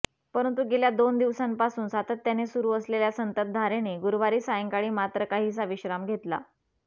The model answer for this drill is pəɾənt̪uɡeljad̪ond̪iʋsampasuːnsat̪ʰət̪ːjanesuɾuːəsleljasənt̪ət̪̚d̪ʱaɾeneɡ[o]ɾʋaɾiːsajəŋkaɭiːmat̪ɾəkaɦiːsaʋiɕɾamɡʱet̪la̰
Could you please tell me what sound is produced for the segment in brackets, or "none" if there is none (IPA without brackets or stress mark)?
u